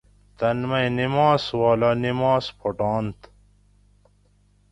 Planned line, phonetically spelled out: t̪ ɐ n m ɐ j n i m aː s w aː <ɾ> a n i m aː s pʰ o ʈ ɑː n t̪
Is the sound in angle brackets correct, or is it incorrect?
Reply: incorrect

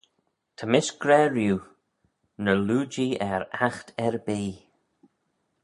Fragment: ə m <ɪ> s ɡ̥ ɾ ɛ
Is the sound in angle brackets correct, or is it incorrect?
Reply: correct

